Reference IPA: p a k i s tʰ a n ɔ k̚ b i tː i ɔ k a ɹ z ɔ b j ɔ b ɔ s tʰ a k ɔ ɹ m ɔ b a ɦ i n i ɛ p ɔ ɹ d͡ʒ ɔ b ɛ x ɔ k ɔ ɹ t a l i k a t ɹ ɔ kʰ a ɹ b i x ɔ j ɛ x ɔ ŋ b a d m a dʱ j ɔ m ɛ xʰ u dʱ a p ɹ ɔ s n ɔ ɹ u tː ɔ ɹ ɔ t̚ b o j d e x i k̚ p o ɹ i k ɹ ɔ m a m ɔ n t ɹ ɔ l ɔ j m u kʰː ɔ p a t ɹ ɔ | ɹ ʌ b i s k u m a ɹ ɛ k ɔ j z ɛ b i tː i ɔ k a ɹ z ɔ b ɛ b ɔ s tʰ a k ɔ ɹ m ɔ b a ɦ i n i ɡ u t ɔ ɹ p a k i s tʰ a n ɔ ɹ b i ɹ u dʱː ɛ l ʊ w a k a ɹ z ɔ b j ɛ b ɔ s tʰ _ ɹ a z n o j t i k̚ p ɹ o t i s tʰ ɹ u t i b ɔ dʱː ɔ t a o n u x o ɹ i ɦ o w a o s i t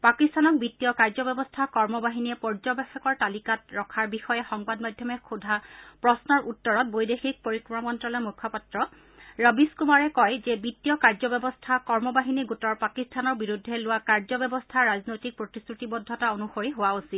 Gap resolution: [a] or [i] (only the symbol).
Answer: a